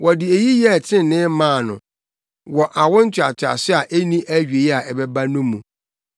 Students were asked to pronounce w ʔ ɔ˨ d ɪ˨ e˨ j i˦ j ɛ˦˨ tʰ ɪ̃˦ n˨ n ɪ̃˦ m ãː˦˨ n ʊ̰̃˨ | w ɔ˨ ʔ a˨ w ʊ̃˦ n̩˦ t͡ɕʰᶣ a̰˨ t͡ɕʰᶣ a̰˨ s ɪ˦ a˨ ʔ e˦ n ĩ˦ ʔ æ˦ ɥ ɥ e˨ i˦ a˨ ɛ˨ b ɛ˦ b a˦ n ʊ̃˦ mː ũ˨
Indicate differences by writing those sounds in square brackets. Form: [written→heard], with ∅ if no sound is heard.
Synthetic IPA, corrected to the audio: w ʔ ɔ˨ d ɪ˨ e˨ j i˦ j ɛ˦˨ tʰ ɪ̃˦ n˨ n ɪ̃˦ m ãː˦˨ n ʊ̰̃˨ | w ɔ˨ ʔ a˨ w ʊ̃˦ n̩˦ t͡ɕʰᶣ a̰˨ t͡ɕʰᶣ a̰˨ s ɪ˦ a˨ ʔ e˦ n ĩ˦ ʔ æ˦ ɥ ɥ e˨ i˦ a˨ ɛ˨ b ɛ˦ b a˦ n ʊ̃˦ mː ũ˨